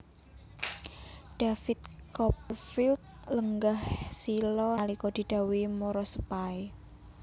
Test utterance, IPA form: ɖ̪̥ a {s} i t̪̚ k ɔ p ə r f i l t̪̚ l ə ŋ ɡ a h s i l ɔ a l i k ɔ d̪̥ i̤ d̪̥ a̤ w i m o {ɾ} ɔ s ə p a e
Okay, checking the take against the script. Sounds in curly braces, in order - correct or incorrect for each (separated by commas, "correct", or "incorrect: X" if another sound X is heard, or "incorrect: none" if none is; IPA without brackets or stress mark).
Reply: incorrect: f, correct